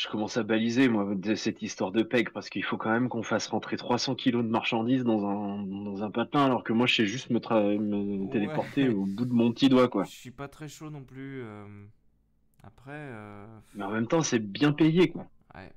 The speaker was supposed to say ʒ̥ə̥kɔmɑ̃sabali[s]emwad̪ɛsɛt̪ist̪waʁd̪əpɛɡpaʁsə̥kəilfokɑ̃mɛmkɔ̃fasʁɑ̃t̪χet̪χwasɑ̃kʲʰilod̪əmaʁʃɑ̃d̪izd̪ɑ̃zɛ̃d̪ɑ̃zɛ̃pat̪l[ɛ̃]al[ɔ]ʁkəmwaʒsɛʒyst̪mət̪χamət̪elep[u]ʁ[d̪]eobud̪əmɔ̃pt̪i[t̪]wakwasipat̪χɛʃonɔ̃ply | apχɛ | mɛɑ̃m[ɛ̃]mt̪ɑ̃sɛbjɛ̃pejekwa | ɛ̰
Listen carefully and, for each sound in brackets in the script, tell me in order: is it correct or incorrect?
incorrect: z, correct, correct, incorrect: ɔ, incorrect: t̪, incorrect: d̪, incorrect: ɛ

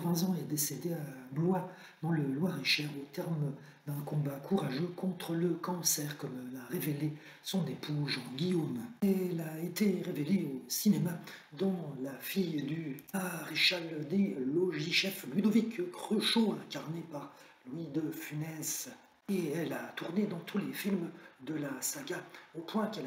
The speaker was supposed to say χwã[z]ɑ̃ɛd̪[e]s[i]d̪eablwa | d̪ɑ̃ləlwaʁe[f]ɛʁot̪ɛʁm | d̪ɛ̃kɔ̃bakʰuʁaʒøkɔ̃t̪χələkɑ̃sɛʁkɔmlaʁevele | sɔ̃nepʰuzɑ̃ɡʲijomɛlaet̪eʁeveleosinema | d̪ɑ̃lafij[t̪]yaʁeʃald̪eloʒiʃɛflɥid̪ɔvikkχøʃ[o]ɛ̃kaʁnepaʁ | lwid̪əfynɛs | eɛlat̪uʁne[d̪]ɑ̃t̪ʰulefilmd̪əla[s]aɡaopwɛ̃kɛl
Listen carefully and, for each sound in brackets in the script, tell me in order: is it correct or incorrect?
correct, correct, incorrect: e, incorrect: ʃ, incorrect: d̪, correct, correct, correct

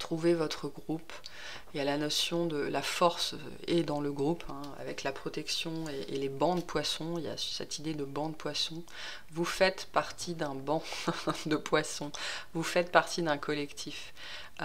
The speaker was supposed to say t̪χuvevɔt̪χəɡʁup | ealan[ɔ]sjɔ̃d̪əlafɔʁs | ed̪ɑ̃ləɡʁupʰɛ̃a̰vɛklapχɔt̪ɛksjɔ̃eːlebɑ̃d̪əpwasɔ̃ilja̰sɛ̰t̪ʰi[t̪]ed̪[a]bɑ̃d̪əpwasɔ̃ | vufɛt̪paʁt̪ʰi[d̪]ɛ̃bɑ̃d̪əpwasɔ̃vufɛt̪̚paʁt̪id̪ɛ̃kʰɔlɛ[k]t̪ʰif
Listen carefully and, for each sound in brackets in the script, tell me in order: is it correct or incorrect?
correct, incorrect: d̪, incorrect: ə, correct, correct

